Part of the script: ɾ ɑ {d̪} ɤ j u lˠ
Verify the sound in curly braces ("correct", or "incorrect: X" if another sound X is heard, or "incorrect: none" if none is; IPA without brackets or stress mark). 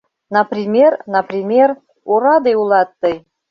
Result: correct